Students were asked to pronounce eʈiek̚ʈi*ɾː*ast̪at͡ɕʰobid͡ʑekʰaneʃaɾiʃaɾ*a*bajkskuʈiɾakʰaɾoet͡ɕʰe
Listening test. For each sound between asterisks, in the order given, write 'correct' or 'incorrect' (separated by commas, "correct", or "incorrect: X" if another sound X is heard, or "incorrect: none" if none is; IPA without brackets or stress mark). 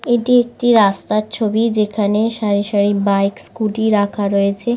incorrect: ɾ, incorrect: i